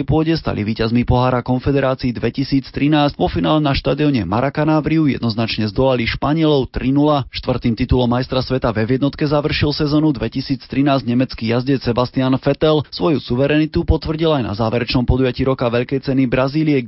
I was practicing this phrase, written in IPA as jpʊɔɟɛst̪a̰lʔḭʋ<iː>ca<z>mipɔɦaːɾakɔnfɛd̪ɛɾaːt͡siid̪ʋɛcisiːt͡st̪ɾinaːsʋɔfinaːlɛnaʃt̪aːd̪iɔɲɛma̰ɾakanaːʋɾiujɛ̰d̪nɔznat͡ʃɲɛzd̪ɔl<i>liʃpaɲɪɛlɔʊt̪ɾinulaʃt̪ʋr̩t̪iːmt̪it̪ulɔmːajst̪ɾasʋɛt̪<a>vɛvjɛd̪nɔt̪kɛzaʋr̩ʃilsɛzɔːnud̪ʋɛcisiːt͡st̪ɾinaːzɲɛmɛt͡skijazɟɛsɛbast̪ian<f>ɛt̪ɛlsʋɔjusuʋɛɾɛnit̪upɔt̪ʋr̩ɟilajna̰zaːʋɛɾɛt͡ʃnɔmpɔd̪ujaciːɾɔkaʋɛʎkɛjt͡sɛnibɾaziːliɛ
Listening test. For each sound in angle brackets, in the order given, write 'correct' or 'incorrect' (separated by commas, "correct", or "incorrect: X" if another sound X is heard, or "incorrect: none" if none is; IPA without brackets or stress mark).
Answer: correct, correct, incorrect: a, correct, correct